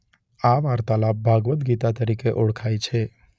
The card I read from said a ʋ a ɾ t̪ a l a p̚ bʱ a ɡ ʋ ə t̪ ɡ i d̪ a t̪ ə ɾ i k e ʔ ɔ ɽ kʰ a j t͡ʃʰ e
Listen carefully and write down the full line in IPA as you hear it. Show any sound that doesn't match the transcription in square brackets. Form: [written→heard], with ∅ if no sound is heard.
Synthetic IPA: a ʋ a ɾ t̪ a l a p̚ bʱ a ɡ ʋ ə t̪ ɡ i [d̪→t̪] a t̪ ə ɾ i k e ʔ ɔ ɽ kʰ a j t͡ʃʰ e